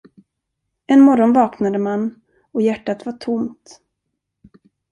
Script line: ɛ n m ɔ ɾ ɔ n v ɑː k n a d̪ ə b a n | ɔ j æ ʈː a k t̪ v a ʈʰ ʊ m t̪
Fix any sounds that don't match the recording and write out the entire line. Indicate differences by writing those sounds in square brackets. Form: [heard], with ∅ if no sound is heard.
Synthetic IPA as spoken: ɛ n m ɔ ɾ ɔ n v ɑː k n a d̪ ə [m] a n | ɔ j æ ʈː a [∅] t̪ v a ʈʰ ʊ m t̪